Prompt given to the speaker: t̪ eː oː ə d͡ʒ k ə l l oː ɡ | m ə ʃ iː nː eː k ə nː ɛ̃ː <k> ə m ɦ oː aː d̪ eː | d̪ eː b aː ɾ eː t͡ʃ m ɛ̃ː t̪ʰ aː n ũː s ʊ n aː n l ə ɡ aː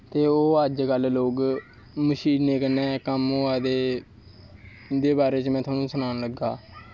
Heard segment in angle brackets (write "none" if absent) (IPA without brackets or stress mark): k